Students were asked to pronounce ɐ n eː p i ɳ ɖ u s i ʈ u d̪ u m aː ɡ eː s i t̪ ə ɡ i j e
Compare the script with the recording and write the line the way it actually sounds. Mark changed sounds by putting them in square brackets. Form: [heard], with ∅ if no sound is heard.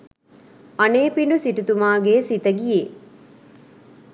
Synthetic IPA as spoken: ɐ n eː p i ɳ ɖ u s i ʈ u [t̪] u m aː ɡ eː s i t̪ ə ɡ i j e

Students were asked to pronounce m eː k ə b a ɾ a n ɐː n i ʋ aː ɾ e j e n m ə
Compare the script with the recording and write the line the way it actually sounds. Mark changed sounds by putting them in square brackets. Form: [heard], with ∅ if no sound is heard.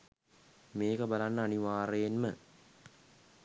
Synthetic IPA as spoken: m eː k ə b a [l] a [nː] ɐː n i ʋ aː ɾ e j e n m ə

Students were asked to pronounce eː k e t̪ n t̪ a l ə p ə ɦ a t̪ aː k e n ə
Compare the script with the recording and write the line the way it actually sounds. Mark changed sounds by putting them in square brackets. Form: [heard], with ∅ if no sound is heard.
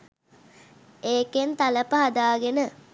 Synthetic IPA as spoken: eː k e [∅] n t̪ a l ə p ə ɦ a [d̪] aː [ɡ] e n ə

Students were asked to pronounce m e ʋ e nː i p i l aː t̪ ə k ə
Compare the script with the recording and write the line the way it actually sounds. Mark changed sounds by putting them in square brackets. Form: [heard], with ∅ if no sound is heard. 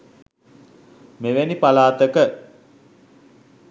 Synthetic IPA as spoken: m e ʋ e [n] i p [a] l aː t̪ ə k ə

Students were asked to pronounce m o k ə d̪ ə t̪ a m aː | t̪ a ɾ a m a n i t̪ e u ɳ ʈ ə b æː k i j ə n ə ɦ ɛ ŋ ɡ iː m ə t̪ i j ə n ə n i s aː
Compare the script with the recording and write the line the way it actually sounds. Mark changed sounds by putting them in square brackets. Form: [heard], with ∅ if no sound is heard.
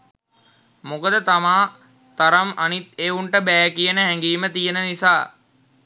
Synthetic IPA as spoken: m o k ə d̪ ə t̪ a m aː | t̪ a ɾ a m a n i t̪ e u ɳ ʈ ə b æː k i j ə n ə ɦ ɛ ŋ ɡ iː m ə t̪ i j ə n ə n i s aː

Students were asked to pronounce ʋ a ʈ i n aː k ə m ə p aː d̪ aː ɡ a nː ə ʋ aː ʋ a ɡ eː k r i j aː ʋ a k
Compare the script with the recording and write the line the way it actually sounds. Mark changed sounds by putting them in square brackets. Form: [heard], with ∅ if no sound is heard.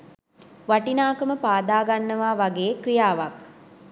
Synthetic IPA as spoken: ʋ a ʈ i n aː k ə m ə p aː d̪ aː ɡ a nː ə ʋ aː ʋ a ɡ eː k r i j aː ʋ a k

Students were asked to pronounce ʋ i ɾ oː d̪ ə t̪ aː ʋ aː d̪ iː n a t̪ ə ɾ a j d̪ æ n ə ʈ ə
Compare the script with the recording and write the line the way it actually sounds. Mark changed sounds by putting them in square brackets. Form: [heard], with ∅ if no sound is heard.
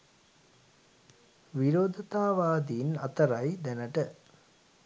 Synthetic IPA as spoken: ʋ i ɾ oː d̪ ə t̪ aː ʋ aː d̪ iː n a t̪ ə ɾ a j d̪ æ n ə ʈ ə

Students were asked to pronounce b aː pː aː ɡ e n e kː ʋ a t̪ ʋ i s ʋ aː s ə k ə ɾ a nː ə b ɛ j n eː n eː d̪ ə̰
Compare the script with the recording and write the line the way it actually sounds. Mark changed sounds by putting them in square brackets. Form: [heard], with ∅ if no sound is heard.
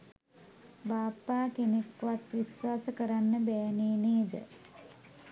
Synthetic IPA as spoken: b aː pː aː [k] e n e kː ʋ a t̪ ʋ i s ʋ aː s ə k ə ɾ a nː ə b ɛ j n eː n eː d̪ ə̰

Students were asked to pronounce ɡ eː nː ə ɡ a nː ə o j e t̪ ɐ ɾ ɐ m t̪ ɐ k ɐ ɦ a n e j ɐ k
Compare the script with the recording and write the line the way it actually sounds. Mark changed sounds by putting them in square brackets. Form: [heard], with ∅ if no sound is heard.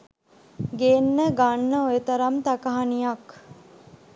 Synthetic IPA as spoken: ɡ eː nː ə ɡ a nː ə o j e t̪ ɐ ɾ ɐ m t̪ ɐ k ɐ ɦ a n [i] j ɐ k

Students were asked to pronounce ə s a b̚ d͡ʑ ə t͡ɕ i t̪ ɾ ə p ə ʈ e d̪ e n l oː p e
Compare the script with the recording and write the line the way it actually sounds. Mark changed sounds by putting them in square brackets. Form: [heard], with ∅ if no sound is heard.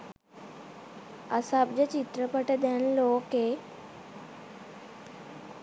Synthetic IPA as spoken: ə s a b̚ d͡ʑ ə t͡ɕ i t̪ ɾ ə p ə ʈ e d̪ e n l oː [k] e

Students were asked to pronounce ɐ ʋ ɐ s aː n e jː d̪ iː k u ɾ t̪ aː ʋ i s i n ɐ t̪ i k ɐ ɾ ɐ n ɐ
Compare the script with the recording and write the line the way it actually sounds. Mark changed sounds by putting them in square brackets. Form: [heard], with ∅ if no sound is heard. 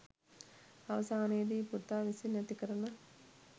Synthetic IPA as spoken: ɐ ʋ ɐ s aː n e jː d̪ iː [p] u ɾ t̪ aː ʋ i s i n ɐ t̪ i k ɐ ɾ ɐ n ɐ

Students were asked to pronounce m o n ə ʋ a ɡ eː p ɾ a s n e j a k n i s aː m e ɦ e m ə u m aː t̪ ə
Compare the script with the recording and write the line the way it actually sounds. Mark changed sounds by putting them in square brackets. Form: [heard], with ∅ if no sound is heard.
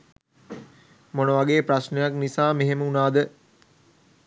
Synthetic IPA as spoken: m o n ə ʋ a ɡ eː p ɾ a s n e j a k n i s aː m e ɦ e m ə u [n] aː [d̪] ə

